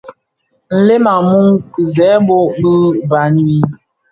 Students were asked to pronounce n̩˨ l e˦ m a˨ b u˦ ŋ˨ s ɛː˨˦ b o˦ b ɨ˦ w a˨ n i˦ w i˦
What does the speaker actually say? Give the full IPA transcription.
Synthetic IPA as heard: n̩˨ l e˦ m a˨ m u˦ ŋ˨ z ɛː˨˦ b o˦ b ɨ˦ b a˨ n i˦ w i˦